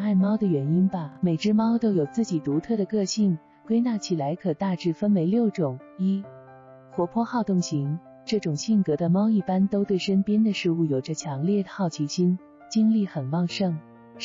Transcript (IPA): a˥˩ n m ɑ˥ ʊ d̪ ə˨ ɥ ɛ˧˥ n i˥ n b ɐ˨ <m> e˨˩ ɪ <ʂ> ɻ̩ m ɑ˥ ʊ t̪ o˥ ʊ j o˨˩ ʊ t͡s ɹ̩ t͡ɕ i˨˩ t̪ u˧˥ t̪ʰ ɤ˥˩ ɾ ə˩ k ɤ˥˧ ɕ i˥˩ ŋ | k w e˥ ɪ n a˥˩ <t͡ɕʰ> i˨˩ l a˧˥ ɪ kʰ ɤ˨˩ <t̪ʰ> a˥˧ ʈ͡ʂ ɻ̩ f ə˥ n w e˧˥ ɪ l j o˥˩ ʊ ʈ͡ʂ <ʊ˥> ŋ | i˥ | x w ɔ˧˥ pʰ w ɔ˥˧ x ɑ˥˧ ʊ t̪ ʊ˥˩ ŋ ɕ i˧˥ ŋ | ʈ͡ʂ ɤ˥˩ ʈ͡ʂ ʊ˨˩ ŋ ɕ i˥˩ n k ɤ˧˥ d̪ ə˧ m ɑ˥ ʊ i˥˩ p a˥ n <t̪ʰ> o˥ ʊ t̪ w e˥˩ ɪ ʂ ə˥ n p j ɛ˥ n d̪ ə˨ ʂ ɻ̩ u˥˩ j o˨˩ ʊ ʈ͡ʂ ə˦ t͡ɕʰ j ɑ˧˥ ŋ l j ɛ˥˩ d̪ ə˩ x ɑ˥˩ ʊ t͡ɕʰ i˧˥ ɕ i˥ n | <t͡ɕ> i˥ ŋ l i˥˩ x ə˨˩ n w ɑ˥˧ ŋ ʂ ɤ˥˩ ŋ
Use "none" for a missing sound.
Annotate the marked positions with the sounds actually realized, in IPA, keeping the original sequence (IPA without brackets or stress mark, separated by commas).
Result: m, ʈ͡ʂ, t͡ɕʰ, t̪, ʊ˨˩, t̪, t͡ɕ